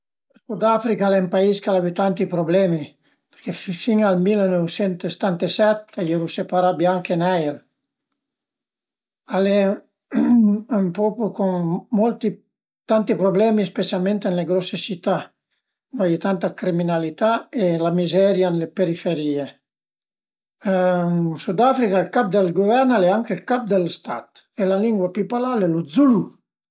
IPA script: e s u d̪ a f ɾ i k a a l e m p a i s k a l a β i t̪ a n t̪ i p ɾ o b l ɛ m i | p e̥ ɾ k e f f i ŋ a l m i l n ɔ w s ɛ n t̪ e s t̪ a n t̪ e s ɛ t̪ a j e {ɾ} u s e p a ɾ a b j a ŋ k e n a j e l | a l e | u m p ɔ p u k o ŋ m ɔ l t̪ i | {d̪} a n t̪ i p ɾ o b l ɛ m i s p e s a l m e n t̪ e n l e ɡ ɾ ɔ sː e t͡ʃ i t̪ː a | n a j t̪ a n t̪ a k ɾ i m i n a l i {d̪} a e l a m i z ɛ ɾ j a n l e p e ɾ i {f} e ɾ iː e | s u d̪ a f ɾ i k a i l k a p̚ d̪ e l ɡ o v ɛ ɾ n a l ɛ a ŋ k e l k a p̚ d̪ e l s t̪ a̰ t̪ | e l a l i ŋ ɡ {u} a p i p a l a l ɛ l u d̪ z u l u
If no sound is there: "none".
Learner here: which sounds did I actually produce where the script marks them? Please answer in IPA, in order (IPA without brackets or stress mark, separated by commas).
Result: ɾ, t̪, t̪, f, w